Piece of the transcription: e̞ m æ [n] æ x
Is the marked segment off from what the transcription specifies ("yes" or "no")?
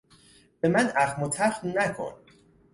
no